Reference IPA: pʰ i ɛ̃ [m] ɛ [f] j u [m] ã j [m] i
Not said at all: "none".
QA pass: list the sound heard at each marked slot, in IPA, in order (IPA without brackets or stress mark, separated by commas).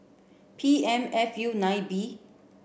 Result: m, f, n, b